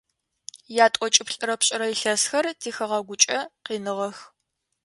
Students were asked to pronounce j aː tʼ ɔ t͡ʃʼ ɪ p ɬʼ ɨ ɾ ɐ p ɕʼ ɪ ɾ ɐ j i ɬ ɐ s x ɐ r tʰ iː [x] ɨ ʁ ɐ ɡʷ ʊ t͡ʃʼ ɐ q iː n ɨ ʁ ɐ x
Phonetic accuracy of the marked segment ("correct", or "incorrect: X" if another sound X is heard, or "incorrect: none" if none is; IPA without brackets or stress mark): correct